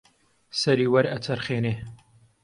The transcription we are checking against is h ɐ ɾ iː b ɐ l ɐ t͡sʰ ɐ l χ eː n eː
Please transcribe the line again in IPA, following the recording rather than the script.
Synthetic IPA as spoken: s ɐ ɾ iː w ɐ ɾ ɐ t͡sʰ ɐ ɾ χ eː n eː